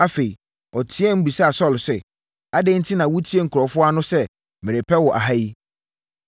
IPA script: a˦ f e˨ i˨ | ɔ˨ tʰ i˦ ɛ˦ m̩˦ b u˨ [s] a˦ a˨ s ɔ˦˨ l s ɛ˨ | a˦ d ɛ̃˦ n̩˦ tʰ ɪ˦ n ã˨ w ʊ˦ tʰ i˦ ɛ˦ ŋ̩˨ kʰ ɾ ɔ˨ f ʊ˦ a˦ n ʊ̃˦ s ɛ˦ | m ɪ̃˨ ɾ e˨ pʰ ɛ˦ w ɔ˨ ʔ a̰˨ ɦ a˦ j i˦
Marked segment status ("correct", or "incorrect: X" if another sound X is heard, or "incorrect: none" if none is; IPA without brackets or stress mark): correct